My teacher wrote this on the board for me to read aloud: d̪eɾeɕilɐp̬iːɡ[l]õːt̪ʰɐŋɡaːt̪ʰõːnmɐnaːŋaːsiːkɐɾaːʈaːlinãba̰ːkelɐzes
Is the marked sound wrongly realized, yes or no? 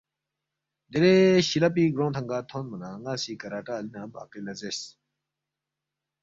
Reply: yes